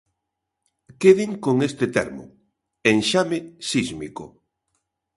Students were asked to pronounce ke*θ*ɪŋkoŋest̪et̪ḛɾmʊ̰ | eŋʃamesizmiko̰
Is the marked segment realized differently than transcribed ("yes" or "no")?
yes